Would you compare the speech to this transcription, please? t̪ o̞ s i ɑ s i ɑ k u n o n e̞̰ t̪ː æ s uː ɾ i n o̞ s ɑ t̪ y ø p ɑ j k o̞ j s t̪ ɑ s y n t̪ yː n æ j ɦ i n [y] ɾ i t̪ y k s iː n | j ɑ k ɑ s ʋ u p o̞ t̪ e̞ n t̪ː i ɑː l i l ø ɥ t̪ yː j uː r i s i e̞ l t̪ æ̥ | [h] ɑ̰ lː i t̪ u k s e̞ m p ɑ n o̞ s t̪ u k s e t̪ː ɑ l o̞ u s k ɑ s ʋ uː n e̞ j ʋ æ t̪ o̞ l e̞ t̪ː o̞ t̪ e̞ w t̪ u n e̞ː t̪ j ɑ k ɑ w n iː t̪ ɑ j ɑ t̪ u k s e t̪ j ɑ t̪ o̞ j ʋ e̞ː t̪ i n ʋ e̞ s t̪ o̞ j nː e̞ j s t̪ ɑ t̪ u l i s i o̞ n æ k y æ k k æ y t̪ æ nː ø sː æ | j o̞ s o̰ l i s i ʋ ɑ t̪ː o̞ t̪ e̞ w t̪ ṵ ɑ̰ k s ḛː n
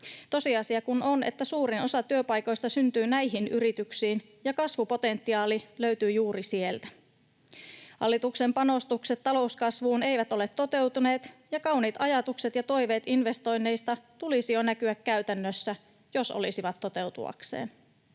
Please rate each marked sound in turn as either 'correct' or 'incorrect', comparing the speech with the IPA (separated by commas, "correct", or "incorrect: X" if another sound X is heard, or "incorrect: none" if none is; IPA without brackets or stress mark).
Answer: correct, correct